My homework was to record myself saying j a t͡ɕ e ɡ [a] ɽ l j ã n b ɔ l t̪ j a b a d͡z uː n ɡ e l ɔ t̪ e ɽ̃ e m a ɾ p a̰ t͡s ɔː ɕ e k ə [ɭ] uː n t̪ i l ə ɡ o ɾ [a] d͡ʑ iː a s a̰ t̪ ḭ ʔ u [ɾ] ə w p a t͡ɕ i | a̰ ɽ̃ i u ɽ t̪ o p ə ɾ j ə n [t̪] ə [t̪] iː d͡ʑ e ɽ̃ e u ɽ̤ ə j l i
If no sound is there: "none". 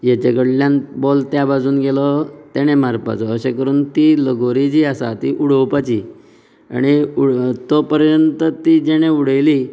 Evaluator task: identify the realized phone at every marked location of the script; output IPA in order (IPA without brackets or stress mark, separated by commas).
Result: ə, ɾ, i, ɽ, t̪, t̪